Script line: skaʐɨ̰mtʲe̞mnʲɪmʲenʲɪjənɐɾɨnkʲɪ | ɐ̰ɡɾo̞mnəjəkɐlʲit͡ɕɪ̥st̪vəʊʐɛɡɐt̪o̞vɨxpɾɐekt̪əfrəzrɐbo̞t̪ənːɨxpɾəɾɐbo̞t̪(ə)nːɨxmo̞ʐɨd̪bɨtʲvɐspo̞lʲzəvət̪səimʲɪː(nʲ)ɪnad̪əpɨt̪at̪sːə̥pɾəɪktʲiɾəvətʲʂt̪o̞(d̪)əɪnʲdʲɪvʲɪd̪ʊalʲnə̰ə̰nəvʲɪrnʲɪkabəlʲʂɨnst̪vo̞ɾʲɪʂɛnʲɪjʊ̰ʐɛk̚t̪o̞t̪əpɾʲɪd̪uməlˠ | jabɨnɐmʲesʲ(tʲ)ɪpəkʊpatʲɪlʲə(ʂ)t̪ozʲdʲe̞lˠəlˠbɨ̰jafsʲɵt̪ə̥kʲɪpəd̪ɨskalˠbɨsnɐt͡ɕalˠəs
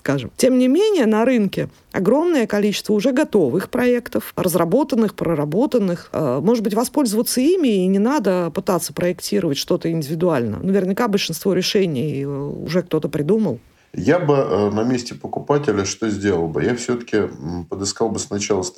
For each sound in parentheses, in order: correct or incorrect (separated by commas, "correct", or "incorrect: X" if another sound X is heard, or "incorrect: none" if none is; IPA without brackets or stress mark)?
correct, correct, incorrect: t̪, correct, correct